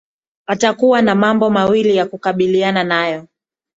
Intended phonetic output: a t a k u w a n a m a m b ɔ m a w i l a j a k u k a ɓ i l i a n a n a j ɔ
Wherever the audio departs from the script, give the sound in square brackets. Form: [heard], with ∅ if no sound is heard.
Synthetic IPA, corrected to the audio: a t a k u w a n a m a m b ɔ m a w i l [i] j a k u k a ɓ i l i a n a n a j ɔ